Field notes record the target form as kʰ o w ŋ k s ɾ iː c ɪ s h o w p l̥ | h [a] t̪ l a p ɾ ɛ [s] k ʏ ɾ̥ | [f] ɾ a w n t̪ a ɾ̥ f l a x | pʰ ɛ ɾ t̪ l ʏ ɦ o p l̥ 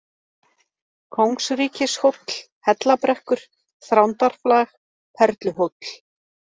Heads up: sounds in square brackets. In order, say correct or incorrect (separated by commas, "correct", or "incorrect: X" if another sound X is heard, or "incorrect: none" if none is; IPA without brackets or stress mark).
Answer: incorrect: ɛ, incorrect: h, incorrect: θ